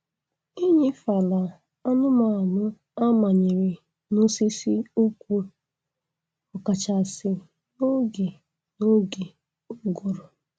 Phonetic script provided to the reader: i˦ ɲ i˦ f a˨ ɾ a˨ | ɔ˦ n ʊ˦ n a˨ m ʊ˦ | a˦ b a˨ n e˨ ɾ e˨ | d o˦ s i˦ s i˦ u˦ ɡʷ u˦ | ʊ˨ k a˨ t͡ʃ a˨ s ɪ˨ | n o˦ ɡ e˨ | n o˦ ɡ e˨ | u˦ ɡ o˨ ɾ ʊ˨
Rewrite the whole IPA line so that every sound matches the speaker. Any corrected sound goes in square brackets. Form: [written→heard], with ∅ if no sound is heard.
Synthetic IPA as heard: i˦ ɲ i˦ f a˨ [ɾ→l] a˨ | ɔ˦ n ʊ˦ [n→m] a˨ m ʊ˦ | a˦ [b→m] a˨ [n→ɲ] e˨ ɾ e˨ | [d→n] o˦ s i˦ s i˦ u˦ [ɡʷ→kʷ] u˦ | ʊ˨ k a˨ t͡ʃ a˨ s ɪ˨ | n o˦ ɡ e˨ | n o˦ ɡ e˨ | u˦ ɡ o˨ ɾ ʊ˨